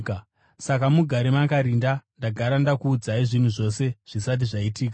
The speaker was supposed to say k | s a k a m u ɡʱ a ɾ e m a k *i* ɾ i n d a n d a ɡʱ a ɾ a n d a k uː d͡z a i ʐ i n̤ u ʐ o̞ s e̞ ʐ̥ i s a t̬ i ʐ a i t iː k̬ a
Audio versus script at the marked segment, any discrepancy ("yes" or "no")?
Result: yes